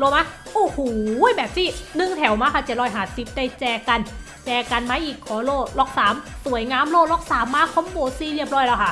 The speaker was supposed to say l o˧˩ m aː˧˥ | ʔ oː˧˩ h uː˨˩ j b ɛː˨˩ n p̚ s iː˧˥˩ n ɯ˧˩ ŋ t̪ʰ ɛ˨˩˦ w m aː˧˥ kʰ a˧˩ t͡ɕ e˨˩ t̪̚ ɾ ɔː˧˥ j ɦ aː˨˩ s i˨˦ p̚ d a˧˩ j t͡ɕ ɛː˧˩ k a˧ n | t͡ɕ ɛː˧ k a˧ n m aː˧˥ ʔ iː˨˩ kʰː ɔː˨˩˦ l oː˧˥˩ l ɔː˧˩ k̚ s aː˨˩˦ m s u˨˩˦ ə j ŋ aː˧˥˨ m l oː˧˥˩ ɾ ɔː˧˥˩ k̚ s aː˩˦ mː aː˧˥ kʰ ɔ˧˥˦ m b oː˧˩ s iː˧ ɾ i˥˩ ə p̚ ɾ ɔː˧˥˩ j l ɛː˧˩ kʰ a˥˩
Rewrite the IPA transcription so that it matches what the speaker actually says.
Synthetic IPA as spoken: l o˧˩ m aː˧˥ | ʔ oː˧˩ h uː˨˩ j b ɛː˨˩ p̚ s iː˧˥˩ n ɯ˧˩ ŋ t̪ʰ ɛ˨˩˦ w m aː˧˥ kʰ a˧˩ t͡ɕ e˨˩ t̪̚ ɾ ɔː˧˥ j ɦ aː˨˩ s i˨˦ p̚ d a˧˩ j t͡ɕ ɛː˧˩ k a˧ n | t͡ɕ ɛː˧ k a˧ n m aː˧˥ ʔ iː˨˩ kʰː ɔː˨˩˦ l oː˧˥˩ l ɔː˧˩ k̚ s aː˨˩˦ m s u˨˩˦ ə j ŋ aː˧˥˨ m l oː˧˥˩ l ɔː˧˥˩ k̚ s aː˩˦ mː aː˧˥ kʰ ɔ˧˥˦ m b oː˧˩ s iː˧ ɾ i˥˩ ə p̚ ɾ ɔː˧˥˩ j l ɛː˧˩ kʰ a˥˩